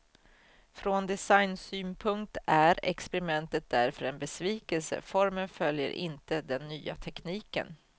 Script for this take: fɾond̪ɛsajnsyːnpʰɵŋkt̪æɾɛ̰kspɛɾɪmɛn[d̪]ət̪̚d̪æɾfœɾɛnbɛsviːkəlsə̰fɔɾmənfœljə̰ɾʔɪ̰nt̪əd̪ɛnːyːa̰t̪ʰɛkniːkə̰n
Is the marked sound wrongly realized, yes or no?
yes